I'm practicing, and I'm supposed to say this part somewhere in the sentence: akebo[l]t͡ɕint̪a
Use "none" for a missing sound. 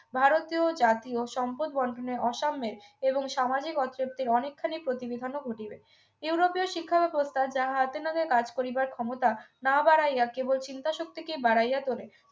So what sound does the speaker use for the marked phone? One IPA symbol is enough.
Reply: l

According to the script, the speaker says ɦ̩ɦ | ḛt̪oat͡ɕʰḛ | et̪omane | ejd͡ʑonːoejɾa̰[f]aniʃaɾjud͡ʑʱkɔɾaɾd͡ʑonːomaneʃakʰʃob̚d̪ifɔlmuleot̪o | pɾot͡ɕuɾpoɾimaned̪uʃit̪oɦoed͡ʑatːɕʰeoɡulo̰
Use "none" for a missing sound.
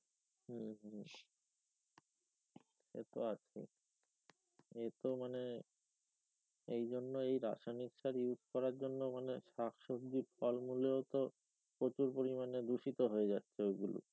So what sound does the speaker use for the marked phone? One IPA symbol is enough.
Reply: ʃ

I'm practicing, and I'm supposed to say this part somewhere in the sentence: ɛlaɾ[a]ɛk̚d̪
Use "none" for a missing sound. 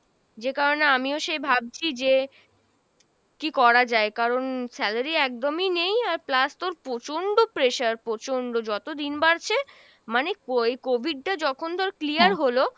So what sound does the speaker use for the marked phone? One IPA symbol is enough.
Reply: i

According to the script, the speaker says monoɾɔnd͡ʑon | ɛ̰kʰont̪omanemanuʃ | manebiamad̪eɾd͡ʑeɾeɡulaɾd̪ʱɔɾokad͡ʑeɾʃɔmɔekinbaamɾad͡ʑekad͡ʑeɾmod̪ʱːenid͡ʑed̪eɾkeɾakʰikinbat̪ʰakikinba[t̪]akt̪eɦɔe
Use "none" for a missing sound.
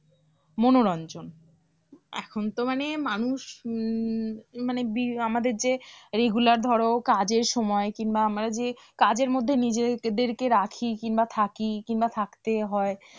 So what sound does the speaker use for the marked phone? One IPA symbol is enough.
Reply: t̪ʰ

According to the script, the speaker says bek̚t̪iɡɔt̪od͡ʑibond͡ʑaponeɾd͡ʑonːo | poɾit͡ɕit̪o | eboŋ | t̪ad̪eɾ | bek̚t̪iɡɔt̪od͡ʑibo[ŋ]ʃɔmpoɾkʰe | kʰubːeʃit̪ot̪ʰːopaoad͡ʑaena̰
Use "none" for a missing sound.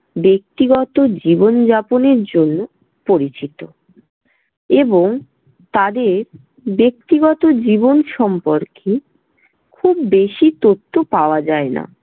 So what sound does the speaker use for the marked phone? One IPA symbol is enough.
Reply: n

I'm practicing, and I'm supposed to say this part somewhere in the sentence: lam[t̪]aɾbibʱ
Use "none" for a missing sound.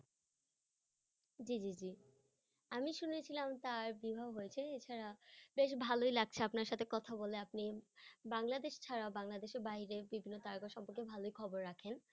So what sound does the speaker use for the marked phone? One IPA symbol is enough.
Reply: t̪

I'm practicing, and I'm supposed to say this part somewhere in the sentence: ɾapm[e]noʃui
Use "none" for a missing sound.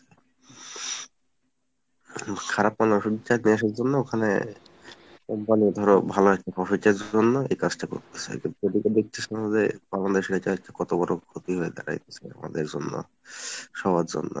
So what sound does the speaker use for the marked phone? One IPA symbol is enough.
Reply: a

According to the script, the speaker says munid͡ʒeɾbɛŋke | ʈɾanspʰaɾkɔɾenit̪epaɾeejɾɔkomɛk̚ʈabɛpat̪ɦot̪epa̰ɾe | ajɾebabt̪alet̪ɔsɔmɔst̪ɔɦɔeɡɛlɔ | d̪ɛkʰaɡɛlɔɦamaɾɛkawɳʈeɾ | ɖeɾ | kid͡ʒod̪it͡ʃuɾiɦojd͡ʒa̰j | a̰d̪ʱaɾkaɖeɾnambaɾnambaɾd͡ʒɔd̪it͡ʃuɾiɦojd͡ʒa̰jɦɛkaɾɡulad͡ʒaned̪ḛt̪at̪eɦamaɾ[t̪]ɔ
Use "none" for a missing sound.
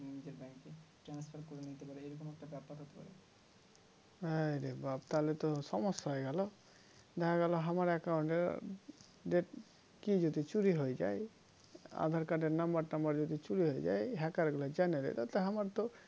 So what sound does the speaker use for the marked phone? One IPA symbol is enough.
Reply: t̪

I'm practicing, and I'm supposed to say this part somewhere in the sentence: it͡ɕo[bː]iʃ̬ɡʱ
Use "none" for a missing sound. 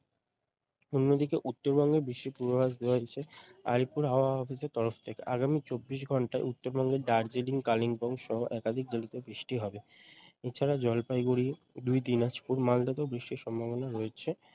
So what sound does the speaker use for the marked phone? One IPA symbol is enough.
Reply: bː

